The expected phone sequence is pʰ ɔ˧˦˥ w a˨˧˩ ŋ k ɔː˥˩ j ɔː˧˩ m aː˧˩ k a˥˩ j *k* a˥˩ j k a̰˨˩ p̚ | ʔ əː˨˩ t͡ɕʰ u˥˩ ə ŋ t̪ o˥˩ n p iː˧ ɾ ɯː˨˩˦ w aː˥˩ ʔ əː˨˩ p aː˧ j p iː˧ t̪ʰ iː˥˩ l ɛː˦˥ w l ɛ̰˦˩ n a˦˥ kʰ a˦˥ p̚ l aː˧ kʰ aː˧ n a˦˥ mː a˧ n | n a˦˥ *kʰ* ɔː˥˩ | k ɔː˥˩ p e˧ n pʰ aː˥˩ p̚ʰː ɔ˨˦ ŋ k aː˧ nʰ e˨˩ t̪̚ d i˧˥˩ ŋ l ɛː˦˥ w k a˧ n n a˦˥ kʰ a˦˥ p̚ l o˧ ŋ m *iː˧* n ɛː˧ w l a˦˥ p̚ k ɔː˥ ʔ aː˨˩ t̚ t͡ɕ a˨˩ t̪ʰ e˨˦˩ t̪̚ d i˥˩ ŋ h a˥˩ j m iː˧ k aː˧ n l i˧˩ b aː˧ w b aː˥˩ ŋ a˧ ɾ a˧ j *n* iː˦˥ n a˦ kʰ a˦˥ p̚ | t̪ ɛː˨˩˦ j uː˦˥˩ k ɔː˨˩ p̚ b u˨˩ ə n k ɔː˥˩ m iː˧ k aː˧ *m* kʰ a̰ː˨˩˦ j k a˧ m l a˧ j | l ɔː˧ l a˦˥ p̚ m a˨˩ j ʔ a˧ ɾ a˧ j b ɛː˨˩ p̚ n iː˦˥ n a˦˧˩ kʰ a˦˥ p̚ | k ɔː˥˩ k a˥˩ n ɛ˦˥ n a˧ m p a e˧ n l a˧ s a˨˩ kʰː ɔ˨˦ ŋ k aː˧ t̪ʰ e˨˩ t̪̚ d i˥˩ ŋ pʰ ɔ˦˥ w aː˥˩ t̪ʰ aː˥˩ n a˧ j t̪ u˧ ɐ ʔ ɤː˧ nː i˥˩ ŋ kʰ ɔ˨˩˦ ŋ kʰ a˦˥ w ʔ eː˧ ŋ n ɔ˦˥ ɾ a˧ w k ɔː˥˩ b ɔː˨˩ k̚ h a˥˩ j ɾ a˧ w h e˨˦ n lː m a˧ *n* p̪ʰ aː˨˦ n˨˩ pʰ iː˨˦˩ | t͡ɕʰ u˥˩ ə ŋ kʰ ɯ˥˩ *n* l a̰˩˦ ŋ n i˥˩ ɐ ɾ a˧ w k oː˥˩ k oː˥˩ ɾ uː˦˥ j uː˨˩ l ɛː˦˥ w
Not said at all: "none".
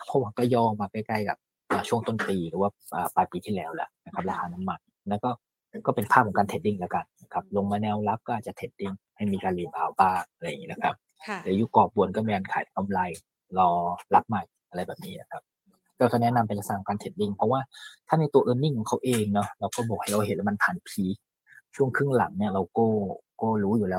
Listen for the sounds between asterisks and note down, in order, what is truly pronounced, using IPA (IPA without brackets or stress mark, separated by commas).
k, k, aː˧, ŋ, n, n, ŋ